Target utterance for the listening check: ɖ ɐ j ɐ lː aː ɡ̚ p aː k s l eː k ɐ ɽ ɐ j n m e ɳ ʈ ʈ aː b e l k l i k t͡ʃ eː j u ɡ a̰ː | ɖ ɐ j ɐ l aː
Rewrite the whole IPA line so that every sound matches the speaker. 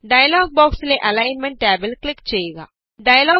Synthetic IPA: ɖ ɐ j ɐ l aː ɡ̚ b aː k s l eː ʔ ɐ l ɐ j n m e ɳ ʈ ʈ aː b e l k l i k t͡ʃ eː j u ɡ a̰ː | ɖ ɐ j ɐ l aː